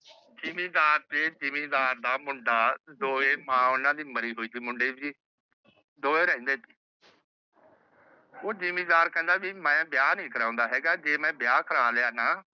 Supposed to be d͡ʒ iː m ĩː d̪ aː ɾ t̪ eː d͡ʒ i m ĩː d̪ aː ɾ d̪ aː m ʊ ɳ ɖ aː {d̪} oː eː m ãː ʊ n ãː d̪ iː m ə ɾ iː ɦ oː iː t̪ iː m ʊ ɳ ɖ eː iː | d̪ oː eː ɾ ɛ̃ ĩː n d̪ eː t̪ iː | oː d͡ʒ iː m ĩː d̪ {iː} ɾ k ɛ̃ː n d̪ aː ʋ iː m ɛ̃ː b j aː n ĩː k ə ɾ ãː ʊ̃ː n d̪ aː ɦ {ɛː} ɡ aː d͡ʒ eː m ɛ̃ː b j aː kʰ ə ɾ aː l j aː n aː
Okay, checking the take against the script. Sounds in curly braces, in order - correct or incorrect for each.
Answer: correct, incorrect: aː, correct

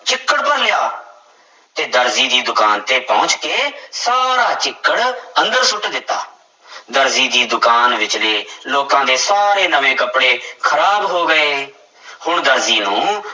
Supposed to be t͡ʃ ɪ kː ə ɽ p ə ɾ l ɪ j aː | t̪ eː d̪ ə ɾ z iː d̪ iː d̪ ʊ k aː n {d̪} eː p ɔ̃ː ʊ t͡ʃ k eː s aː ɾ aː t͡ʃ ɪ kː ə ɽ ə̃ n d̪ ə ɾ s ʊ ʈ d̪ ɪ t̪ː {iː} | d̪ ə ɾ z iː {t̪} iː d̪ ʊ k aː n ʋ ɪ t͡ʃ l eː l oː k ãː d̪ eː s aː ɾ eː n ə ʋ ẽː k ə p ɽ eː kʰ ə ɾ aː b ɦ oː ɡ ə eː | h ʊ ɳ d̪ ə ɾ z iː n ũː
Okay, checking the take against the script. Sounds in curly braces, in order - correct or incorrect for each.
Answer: incorrect: t̪, incorrect: aː, incorrect: d̪

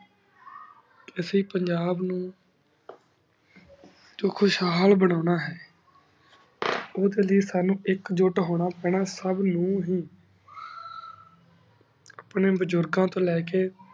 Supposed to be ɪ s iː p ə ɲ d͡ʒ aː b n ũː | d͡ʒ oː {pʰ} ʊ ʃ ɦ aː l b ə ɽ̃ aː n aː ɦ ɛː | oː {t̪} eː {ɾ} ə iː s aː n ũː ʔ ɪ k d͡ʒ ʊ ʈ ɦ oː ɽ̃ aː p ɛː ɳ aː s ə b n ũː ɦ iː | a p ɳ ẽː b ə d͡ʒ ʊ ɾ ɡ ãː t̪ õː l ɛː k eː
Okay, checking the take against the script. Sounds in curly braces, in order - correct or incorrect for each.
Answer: incorrect: kʰ, incorrect: d̪, incorrect: l

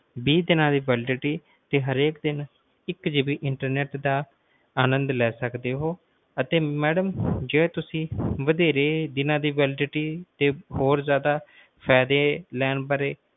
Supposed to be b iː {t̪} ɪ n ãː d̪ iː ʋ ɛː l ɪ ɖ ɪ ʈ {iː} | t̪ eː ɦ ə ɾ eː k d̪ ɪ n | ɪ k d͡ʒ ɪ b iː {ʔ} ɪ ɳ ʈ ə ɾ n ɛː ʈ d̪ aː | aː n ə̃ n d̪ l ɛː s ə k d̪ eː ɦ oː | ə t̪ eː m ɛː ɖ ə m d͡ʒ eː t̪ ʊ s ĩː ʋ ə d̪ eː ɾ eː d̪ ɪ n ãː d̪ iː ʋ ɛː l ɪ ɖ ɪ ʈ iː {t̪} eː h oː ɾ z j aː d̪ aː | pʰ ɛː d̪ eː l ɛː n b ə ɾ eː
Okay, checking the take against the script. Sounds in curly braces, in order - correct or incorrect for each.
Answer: incorrect: d̪, correct, correct, correct

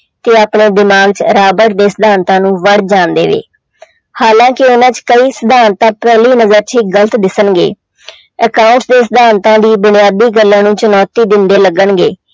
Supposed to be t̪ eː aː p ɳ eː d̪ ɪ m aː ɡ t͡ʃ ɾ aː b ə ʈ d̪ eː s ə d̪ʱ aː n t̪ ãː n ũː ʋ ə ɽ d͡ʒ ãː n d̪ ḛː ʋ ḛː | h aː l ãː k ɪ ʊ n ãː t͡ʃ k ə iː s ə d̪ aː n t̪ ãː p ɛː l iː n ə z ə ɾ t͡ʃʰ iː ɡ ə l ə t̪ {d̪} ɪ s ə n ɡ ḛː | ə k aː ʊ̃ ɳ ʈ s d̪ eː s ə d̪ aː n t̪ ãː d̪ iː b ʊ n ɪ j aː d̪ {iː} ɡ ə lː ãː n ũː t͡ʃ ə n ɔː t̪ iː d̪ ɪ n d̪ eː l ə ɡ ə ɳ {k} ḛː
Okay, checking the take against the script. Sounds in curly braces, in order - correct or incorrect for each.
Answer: correct, correct, incorrect: ɡ

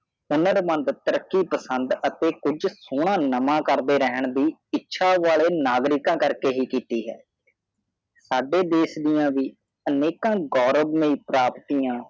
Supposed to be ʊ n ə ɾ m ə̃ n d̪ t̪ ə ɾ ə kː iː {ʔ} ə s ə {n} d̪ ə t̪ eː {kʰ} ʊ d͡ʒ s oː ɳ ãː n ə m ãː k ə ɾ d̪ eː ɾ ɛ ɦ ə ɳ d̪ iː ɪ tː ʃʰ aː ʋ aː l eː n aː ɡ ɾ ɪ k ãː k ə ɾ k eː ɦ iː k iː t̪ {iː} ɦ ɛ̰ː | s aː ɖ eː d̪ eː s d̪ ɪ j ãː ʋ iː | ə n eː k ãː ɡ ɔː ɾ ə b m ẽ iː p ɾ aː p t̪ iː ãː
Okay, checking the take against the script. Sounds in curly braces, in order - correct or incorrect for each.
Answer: incorrect: p, correct, incorrect: k, correct

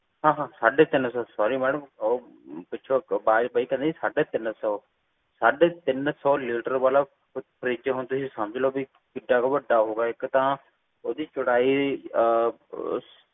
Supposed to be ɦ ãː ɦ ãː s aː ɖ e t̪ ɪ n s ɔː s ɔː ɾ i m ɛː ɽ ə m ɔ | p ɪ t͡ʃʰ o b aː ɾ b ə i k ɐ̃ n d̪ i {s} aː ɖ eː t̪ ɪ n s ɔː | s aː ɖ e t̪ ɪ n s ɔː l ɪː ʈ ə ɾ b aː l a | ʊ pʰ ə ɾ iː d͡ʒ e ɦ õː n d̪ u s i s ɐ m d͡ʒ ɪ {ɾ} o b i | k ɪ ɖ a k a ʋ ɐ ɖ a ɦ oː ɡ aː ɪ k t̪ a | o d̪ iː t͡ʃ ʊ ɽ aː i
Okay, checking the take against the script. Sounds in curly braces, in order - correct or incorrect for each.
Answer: correct, incorrect: l

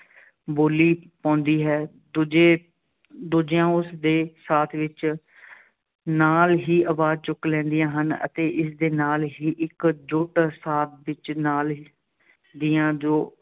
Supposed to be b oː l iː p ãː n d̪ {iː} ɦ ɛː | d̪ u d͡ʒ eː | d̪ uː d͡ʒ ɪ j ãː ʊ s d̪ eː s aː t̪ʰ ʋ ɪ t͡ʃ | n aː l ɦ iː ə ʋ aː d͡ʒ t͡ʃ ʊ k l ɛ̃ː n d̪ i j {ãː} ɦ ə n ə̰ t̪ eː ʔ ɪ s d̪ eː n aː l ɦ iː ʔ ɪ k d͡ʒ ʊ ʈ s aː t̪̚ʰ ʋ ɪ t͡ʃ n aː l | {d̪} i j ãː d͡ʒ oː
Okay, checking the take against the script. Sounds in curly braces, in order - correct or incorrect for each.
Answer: correct, correct, correct

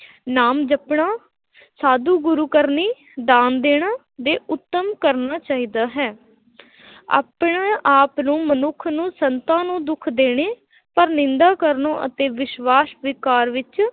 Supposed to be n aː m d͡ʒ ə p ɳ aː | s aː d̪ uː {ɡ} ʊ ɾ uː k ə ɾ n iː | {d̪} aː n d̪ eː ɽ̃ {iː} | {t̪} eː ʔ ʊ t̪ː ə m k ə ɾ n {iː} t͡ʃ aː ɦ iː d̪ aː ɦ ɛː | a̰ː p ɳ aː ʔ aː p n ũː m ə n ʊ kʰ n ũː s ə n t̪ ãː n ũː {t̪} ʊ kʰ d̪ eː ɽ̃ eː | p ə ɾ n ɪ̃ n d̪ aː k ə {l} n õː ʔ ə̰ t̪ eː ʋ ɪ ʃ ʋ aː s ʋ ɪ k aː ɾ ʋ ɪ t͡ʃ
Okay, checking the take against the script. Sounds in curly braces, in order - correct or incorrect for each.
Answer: correct, correct, incorrect: aː, incorrect: d̪, incorrect: aː, incorrect: d̪, incorrect: ɾ

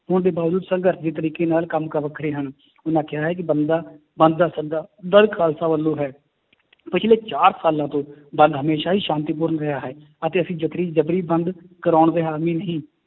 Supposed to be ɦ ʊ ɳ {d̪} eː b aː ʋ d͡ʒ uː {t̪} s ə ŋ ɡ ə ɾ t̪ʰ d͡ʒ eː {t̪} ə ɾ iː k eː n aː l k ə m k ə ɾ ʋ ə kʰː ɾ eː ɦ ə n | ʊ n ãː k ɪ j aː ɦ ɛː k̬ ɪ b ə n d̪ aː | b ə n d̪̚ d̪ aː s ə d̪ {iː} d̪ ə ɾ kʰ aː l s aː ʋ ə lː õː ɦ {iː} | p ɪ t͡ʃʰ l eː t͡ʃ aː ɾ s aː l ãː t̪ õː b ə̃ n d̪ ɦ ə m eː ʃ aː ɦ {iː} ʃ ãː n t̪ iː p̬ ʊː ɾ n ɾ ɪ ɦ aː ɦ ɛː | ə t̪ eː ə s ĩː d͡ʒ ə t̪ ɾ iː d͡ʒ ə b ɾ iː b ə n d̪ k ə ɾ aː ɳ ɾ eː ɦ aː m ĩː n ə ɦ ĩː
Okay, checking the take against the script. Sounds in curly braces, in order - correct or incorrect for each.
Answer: correct, incorrect: d̪, correct, incorrect: aː, incorrect: ɛː, correct

